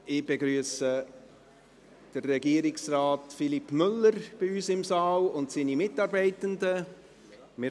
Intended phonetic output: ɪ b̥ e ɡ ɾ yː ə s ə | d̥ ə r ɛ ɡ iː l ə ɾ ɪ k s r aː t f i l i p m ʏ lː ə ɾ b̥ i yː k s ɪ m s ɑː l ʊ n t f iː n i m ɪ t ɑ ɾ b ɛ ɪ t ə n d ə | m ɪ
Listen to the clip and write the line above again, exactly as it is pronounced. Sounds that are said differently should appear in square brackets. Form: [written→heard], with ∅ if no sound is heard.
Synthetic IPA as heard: ɪ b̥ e ɡ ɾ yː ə s ə | d̥ ə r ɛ ɡ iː [l→∅] ə ɾ ɪ k s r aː t f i l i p m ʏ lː ə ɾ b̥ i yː [k→∅] s ɪ m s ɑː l ʊ n t [f→s] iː n i m ɪ t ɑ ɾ b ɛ ɪ t ə n d ə | m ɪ

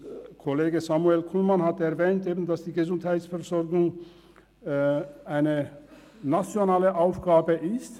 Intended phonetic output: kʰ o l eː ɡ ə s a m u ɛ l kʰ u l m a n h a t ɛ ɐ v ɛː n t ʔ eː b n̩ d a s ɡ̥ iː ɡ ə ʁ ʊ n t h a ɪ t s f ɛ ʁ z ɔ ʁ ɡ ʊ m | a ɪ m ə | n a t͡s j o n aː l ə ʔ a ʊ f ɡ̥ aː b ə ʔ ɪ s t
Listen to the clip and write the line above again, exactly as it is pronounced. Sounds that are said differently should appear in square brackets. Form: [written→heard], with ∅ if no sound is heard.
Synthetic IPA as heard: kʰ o l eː ɡ ə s a m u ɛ l kʰ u l m a n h a t ɛ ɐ v ɛː n t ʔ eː b n̩ d a s [ɡ̥→d̥] iː ɡ ə [ʁ→z] ʊ n t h a ɪ t s f ɛ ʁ z ɔ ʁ ɡ ʊ [m→ŋ] | a ɪ [m→n] ə | n a t͡s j o n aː l ə ʔ a ʊ f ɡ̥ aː b ə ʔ ɪ s t

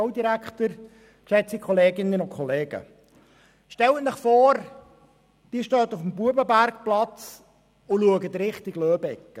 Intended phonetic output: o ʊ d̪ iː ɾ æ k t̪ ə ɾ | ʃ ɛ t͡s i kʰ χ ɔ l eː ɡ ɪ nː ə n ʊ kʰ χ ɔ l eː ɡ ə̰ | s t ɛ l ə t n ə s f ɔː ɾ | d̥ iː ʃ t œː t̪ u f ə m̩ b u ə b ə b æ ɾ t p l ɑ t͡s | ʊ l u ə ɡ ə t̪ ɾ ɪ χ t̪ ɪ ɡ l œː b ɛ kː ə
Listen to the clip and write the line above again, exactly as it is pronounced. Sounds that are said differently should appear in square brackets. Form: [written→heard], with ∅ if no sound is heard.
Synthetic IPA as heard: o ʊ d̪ [iː→i] ɾ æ k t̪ ə ɾ | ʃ ɛ t͡s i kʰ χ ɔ l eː ɡ ɪ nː ə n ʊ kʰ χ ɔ l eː ɡ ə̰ | [s→ʃ] t ɛ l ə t n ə [s→χ] f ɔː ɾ | d̥ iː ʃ t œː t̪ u f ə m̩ b u ə b ə b æ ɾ [t→k] p l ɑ t͡s | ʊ l u ə ɡ ə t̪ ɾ ɪ χ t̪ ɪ ɡ l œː b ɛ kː ə

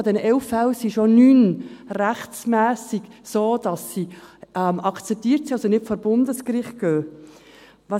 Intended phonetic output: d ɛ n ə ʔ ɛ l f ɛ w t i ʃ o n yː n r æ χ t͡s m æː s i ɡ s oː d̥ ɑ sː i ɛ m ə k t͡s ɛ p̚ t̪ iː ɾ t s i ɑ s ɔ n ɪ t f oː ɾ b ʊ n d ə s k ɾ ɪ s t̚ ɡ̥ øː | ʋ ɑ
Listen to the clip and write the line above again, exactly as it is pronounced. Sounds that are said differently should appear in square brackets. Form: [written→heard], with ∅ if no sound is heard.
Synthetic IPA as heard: d ɛ n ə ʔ ɛ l f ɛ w [t→s] i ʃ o n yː n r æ χ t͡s m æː s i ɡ s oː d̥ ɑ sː i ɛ m [ə→ɑ] k t͡s ɛ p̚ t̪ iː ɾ t s i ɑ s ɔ n ɪ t f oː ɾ b ʊ n d ə s k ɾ ɪ [s→χ] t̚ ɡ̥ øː | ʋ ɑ

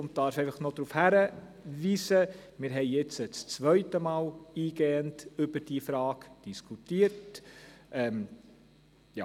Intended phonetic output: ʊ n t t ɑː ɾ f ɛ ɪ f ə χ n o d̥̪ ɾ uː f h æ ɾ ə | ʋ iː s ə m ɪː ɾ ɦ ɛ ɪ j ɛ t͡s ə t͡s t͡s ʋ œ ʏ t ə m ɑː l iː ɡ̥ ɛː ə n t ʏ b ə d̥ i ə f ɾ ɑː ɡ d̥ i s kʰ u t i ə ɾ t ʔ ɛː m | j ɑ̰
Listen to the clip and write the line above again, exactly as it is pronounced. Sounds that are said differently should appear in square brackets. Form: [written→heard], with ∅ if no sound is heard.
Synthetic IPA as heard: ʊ n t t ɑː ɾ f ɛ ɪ f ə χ n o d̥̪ ɾ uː f h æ ɾ ə | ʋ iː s ə m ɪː ɾ ɦ ɛ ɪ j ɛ t͡s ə t͡s t͡s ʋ œ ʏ t ə m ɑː l iː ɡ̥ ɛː ə n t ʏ b ə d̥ i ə f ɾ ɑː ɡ d̥ i s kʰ u t i ə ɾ t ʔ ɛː m | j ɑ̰

